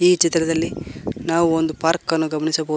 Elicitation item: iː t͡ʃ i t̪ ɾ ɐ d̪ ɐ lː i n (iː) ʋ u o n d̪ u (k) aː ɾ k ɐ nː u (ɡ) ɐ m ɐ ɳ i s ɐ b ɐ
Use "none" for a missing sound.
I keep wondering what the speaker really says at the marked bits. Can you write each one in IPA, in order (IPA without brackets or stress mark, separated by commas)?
aː, p, ɡ